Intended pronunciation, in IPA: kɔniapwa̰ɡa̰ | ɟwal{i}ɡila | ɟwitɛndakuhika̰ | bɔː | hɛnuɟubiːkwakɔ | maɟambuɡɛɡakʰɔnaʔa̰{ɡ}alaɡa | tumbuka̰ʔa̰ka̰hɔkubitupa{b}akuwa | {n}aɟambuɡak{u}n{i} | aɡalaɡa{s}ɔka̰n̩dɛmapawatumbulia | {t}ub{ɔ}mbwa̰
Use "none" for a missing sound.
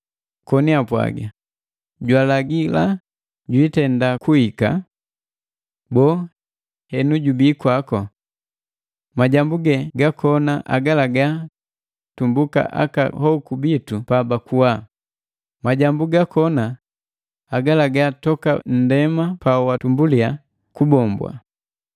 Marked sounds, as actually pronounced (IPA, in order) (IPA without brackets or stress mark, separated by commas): a, ɡ, b, m, ɔ, a, t, k, ɔ